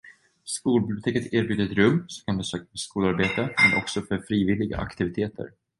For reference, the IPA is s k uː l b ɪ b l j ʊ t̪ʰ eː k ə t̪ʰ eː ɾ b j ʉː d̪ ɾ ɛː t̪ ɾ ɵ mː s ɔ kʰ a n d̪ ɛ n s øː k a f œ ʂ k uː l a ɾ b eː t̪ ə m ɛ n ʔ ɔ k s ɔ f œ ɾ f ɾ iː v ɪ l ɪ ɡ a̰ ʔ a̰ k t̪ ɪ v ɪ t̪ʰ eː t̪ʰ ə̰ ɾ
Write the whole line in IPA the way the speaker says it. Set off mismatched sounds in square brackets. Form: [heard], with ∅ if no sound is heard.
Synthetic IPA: s k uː l b ɪ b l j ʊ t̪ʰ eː k ə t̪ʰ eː ɾ b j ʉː d̪ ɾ [ɛ] t̪ ɾ ɵ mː s ɔ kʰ a n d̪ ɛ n s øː k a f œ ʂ k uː l a ɾ b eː t̪ ə m ɛ n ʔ ɔ k s ɔ f œ ɾ f ɾ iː v ɪ l ɪ ɡ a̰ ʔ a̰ k t̪ ɪ v ɪ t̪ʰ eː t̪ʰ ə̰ ɾ